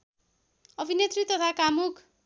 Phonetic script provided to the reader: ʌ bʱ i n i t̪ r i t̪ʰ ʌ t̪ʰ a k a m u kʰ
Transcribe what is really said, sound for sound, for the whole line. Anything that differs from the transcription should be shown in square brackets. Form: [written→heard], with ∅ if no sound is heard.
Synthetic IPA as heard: ʌ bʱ i n [i→e] t̪ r i [t̪ʰ→t̪] ʌ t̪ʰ a k a m u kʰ